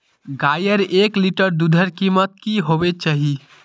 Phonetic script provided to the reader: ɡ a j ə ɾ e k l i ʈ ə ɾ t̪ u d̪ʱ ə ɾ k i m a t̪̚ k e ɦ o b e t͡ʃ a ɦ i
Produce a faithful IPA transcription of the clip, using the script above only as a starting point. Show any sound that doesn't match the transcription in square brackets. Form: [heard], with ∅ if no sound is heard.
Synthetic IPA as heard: ɡ a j ə ɾ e k l i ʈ ə ɾ [d̪] u d̪ʱ ə ɾ k i m [ə] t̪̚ k [i] ɦ o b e t͡ʃ a ɦ i